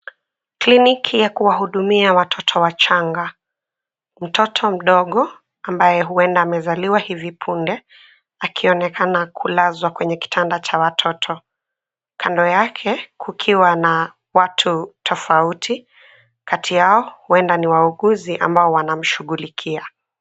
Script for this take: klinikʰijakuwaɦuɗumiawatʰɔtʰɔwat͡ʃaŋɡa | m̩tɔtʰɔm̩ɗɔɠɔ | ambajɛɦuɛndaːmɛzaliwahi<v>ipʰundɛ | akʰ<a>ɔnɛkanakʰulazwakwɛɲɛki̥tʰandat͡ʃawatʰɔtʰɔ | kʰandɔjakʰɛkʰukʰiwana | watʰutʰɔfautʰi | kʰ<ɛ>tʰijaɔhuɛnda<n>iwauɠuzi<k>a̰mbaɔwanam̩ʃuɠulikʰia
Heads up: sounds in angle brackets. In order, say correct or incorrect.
correct, incorrect: i, incorrect: a, correct, incorrect: ʔ

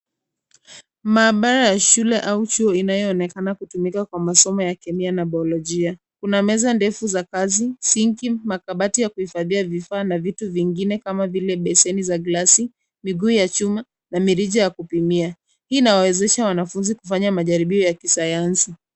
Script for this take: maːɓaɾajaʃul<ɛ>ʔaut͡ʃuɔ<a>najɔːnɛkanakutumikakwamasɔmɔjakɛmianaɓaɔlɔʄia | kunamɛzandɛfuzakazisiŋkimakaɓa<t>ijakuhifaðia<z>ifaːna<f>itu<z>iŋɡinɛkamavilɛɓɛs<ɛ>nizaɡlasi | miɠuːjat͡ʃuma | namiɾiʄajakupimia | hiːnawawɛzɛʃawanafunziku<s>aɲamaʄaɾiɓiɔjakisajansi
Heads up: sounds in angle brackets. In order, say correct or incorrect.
correct, incorrect: i, correct, incorrect: v, incorrect: v, incorrect: v, correct, incorrect: f

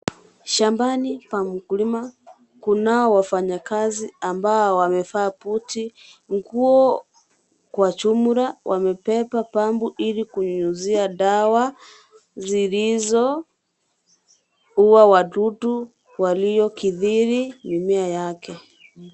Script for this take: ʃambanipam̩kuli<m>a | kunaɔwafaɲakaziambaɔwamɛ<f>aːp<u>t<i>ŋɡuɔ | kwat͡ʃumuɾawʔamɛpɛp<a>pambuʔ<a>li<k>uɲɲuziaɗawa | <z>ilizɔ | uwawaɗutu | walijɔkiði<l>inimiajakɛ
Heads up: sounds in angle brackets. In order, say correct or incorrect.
correct, correct, correct, correct, correct, incorrect: i, correct, correct, incorrect: ɾ

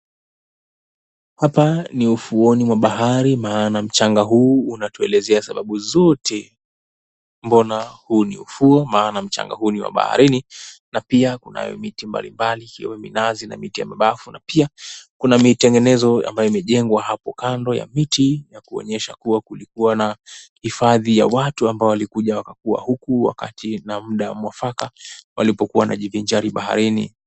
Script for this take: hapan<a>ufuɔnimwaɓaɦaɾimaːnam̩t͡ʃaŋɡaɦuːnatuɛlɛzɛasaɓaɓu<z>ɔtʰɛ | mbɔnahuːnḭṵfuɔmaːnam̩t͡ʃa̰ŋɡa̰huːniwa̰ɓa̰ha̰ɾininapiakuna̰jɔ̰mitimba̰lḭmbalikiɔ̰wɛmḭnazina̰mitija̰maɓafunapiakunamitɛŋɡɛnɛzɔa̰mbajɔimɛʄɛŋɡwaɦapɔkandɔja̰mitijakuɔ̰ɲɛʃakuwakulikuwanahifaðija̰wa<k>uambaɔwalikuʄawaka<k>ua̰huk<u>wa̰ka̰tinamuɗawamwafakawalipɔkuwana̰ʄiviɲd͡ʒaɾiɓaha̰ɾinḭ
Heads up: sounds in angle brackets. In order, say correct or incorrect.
incorrect: i, correct, incorrect: t, correct, correct

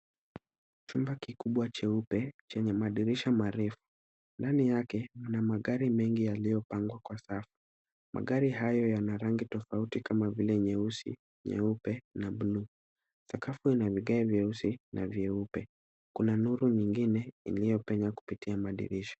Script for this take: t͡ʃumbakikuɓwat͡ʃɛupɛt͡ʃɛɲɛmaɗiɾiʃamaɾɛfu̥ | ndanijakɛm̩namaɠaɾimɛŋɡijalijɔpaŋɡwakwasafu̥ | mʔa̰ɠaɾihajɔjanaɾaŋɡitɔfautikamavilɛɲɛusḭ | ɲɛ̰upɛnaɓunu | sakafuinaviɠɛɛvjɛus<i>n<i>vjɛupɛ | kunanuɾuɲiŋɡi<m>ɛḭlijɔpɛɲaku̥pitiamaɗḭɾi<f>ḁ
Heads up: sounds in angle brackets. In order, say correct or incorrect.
correct, incorrect: a, incorrect: n, incorrect: ʃ

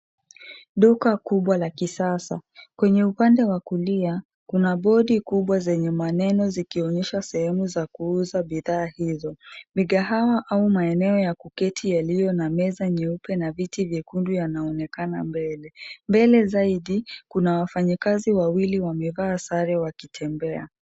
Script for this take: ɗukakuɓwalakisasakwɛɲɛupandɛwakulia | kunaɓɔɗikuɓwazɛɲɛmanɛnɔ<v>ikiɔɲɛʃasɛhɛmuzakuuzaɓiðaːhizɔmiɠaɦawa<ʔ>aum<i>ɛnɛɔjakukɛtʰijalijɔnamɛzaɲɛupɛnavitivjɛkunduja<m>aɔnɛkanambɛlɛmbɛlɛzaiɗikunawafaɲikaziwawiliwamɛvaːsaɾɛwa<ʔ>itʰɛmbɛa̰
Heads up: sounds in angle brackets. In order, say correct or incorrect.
incorrect: z, correct, incorrect: a, incorrect: n, incorrect: k

